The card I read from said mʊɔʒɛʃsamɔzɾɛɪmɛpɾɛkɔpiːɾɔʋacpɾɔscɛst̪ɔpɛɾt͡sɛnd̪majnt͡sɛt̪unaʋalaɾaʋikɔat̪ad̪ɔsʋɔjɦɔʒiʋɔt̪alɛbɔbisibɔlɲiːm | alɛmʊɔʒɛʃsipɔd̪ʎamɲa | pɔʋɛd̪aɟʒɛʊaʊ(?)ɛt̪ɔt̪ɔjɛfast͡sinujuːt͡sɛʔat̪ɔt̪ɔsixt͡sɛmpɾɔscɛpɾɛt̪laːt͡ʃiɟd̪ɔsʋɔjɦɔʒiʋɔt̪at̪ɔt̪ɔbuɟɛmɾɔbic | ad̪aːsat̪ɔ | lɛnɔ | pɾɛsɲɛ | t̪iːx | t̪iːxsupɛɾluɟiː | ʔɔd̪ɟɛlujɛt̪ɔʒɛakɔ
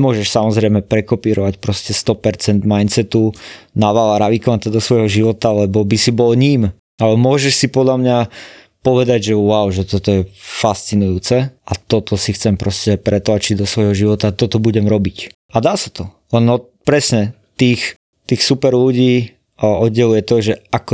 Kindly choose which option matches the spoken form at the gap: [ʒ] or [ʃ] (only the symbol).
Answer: ʒ